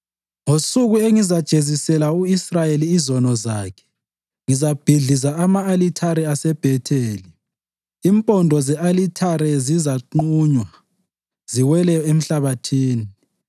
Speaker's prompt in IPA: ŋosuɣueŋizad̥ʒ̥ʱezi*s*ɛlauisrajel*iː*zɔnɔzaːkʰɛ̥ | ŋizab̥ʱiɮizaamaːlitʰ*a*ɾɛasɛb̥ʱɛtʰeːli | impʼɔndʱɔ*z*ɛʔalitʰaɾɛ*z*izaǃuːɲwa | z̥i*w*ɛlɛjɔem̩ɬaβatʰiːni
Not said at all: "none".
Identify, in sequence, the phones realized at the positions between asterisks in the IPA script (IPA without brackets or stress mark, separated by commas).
s, iː, a, z, z, w